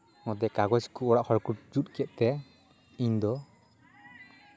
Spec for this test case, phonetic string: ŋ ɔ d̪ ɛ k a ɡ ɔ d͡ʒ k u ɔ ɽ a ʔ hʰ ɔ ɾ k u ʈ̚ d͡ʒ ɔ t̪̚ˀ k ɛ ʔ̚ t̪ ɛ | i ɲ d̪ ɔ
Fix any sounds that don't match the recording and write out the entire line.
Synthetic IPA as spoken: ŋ ɔ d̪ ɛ k a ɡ ɔ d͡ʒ k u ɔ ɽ a ʔ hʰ ɔ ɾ k u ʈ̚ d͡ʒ u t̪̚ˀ k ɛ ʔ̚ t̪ ɛ | i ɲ d̪ ɔ